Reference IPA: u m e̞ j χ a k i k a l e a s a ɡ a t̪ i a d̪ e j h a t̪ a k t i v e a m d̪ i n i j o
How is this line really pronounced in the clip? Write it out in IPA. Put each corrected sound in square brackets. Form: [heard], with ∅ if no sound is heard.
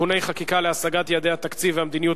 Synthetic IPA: u [n] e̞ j χ a k i k a l e a s a ɡ a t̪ [j] a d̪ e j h a t̪ a k [t͡s] i v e a m d̪ i n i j [u]